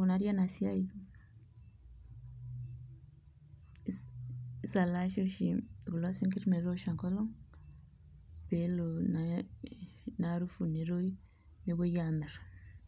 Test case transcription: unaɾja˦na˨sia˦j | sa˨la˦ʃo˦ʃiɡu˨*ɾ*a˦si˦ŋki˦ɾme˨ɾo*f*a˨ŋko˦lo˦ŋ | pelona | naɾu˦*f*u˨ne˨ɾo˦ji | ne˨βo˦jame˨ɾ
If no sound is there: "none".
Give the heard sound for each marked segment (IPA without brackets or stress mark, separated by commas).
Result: l, ʃ, f